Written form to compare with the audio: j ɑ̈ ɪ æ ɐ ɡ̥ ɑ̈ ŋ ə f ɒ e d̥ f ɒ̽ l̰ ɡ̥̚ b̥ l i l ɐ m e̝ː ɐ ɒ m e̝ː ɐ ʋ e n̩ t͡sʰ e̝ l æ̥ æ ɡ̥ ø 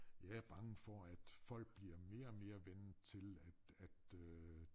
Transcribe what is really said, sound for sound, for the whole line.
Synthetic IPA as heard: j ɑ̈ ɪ æ ɐ b̥ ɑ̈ ŋ ə f ɒ æ d̥ f ɒ̽ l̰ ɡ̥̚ b̥ l i ɐ m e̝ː ɐ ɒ m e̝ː ɐ ʋ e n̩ t͡sʰ e̝ l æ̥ æ d̥ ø